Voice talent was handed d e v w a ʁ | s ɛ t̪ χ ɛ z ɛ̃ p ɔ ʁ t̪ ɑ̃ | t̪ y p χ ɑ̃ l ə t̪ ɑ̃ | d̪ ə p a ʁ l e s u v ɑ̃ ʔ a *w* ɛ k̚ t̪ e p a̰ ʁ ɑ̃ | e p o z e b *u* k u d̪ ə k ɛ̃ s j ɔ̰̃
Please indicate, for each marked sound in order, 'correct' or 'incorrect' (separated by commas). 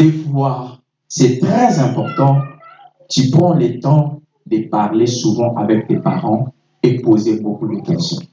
incorrect, incorrect